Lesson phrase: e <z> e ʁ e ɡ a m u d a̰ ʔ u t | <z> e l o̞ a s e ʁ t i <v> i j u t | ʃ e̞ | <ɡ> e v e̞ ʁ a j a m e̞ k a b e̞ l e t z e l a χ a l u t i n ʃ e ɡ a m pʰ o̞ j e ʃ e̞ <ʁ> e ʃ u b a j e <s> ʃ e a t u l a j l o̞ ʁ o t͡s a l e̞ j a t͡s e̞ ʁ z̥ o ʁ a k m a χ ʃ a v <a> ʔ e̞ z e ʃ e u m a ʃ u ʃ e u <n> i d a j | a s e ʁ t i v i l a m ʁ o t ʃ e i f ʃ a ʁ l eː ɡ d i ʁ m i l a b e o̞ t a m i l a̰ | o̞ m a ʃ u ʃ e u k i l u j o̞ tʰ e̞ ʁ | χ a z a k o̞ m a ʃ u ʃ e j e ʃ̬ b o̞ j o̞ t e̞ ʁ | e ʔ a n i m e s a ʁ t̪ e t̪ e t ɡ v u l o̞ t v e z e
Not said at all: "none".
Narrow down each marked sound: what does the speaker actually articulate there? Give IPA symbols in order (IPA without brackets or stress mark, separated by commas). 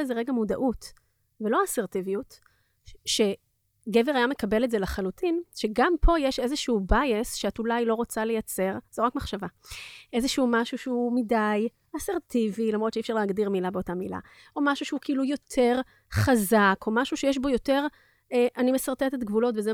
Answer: z, v, v, ɡ, z, s, a, m